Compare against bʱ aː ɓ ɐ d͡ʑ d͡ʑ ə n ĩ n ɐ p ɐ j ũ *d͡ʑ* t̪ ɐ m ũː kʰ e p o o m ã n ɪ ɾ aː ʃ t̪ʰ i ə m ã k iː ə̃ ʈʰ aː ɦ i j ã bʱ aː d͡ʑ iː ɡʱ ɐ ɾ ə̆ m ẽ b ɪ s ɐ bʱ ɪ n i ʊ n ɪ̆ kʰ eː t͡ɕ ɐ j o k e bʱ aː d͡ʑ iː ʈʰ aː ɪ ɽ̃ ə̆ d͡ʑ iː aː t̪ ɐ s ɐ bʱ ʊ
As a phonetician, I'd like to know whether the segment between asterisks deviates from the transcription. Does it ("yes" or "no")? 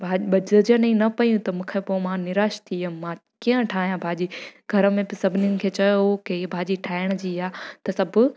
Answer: yes